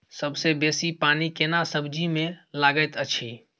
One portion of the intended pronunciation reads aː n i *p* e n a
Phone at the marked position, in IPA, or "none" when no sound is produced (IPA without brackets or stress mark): k